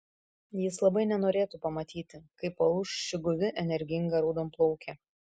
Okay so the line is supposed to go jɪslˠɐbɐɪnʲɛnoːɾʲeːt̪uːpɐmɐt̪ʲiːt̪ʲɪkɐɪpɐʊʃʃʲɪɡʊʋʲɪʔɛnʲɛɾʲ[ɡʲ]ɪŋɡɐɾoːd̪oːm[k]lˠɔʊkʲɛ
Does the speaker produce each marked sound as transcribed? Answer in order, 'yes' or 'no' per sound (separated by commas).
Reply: yes, no